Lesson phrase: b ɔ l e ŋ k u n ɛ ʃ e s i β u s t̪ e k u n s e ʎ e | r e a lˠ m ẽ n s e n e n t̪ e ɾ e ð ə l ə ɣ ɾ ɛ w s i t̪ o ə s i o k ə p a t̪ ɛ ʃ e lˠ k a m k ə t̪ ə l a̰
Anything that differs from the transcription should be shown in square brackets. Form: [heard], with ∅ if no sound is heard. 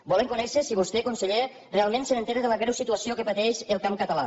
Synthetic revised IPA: b ɔ l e ŋ k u n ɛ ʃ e s i β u s t̪ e k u n s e ʎ e | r e a lˠ m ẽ n s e n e n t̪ e ɾ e ð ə l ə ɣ ɾ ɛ w s i t̪ [u] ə s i o k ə p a t̪ ɛ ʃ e lˠ k a m k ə t̪ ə l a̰